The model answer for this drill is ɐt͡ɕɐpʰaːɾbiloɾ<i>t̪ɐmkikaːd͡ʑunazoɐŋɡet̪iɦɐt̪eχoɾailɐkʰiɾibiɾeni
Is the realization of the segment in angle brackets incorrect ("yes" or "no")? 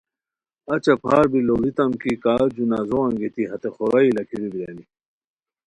no